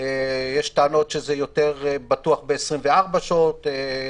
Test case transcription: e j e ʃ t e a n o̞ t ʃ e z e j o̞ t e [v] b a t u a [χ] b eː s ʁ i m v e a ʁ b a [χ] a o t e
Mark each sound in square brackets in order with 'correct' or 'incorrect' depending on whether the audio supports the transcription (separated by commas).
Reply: incorrect, correct, incorrect